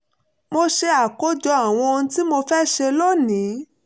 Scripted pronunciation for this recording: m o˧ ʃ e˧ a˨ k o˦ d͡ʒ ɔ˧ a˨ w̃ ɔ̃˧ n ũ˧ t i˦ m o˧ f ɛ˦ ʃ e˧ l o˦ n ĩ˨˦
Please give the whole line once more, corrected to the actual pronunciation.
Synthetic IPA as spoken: m o˧ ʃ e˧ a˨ k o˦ d͡ʒ ɔ˧ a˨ w̃ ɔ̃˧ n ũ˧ t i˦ m o˧ f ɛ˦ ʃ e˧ l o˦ n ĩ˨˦